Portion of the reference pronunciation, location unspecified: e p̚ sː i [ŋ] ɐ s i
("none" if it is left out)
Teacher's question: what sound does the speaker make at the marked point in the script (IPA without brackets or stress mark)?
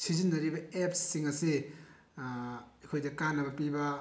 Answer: ŋ